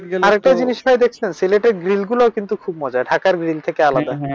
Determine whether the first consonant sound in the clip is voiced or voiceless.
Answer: voiced